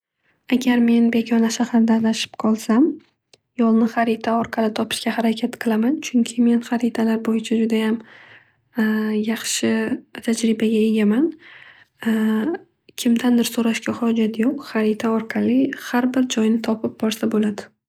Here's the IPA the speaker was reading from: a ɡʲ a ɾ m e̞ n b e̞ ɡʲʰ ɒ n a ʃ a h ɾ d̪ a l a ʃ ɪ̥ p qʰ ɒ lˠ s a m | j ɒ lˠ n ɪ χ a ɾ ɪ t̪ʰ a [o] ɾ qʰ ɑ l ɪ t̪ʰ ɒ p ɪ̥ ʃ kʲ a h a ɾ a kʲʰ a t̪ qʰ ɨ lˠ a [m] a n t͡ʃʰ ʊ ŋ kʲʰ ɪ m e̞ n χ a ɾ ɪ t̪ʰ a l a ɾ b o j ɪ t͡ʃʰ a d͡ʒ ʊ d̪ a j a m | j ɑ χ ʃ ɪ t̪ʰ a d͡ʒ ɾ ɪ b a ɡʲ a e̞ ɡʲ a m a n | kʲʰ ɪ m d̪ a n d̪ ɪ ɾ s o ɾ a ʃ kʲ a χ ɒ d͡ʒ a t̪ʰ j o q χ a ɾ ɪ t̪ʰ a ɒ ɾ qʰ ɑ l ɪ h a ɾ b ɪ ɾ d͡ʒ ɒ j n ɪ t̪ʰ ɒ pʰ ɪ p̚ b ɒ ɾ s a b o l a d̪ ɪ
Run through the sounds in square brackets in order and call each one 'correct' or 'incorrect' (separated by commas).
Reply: incorrect, correct